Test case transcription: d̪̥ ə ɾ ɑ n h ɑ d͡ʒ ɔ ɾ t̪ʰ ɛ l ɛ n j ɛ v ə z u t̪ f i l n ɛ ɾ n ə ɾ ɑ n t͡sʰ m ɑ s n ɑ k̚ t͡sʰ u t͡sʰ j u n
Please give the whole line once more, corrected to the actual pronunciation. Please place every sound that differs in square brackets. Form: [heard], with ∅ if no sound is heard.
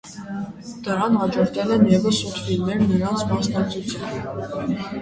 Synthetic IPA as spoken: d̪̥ ə ɾ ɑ n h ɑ d͡ʒ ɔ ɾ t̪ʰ ɛ l ɛ n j ɛ v ə [s] u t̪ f i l n ɛ ɾ n ə ɾ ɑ n t͡sʰ m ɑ s n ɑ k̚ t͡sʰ u t͡sʰ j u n

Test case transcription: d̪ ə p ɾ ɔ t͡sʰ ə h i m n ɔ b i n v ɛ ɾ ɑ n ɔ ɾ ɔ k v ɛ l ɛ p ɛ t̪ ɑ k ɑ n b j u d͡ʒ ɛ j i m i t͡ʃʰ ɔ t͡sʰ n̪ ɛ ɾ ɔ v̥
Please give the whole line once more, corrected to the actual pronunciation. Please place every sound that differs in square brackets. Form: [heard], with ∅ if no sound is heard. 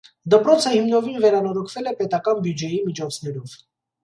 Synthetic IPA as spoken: d̪ ə p ɾ ɔ t͡sʰ ə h i m n ɔ [v] i n v ɛ ɾ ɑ n ɔ ɾ ɔ [kʰ] v ɛ l ɛ p ɛ t̪ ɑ k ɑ n b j u d͡ʒ ɛ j i m i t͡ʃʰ ɔ t͡sʰ n̪ ɛ ɾ ɔ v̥

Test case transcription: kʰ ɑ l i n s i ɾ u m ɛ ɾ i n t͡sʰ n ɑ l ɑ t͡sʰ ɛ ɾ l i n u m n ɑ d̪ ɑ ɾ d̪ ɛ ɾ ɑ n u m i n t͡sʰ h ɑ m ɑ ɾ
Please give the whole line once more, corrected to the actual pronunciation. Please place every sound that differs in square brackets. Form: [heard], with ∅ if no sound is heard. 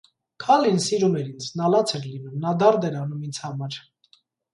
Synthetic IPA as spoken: kʰ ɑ l i n s i ɾ u m ɛ ɾ i n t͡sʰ n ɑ l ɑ t͡sʰ ɛ ɾ l i n u m n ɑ d̪ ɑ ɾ d̪ ɛ ɾ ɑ n u m i n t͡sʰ h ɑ m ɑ ɾ

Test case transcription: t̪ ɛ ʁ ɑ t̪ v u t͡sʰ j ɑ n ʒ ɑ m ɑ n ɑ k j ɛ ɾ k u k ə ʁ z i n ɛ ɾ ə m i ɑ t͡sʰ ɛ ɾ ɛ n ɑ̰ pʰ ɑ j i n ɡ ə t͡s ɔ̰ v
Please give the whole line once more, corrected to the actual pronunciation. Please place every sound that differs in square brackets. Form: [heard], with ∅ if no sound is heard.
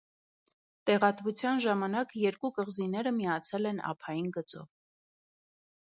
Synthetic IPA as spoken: t̪ ɛ ʁ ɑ t̪ v u t͡sʰ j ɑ n ʒ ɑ m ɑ n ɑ k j ɛ ɾ k u k ə ʁ z i n ɛ ɾ ə m i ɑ t͡sʰ ɛ [l] ɛ n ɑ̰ pʰ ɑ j i n ɡ ə t͡s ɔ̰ v

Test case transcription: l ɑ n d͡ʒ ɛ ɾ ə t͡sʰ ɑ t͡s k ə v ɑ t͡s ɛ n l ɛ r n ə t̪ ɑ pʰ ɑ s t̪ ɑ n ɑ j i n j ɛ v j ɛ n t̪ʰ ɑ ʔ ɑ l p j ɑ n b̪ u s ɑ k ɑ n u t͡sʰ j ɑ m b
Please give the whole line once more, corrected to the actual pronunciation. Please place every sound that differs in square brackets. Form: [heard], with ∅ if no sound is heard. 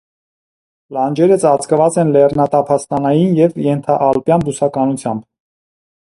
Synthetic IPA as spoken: l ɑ n d͡ʒ ɛ ɾ ə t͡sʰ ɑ t͡s k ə v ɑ t͡s ɛ n l ɛ r n [ɑ] t̪ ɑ pʰ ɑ s t̪ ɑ n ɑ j i n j ɛ v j ɛ n t̪ʰ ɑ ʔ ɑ l p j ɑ n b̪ u s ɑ k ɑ n u t͡sʰ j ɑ m b

